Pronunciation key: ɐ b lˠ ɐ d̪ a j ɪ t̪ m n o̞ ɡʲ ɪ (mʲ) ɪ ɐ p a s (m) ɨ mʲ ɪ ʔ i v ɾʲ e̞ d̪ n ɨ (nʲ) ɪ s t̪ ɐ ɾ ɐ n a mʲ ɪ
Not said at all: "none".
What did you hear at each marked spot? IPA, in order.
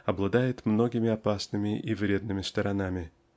mʲ, n, mʲ

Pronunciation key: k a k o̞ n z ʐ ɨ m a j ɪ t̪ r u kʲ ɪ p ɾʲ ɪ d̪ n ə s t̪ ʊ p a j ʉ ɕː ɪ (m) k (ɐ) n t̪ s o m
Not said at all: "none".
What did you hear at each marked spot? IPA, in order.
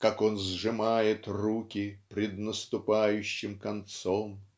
m, ɐ

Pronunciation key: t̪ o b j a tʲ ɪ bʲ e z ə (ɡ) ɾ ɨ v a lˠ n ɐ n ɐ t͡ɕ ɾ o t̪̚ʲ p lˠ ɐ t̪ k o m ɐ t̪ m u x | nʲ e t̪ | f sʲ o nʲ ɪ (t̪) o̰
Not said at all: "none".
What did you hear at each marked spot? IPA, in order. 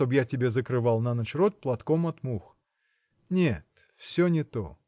k, t̪

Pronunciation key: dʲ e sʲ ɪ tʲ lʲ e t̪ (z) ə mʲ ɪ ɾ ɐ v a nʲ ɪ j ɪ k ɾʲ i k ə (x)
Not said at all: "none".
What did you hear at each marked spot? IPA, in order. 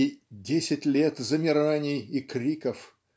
z, f

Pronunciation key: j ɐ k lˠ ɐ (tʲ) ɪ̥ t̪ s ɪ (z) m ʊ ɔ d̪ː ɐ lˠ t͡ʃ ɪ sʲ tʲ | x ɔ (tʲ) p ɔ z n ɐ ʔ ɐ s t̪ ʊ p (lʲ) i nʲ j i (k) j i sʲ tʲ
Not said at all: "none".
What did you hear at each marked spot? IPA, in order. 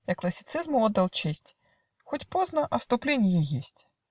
sʲ, z, tʲ, lʲ, none

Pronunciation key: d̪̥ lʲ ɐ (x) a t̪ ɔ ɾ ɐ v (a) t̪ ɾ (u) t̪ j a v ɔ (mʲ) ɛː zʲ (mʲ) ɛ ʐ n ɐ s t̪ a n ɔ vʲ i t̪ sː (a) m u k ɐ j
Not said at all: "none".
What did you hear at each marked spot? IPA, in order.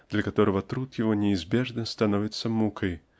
k, ɐ, u, nʲ, bʲ, ɐ

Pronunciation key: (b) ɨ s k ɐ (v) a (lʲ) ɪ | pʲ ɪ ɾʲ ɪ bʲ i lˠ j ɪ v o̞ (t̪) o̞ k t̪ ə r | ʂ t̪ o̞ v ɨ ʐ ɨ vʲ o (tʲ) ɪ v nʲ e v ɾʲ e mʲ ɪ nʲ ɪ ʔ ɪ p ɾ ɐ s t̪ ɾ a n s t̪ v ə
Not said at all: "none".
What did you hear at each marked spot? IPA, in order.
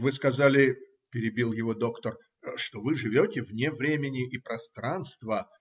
v, z, lʲ, d̪, tʲ

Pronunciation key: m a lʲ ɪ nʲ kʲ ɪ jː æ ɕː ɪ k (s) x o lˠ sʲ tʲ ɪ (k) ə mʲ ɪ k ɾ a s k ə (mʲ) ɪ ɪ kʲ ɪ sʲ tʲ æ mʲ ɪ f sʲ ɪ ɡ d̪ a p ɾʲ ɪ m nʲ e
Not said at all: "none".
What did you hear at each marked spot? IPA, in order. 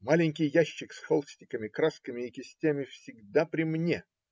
s, k, mʲ

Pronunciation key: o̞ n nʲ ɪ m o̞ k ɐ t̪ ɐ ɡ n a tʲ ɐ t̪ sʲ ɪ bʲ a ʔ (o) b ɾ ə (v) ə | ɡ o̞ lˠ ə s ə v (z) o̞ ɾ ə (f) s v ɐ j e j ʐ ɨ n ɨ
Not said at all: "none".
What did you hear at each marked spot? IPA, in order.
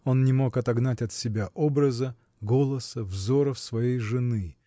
o, z, z, f

